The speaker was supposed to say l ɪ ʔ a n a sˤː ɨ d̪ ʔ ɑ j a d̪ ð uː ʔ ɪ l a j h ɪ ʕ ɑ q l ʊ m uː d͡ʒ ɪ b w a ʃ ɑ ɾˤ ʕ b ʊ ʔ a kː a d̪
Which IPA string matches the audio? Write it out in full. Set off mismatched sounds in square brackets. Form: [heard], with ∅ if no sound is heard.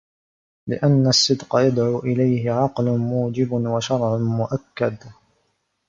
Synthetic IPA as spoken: l ɪ ʔ a [nː] a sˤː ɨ d̪ [q] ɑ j a d̪ [ʕ] uː ʔ ɪ l a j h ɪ ʕ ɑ q l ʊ m uː d͡ʒ ɪ b w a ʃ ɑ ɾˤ ʕ [m] ʊ ʔ a kː a d̪